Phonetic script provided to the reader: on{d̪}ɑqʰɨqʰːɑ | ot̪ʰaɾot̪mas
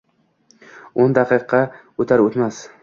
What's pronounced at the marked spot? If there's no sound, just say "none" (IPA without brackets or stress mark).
d̪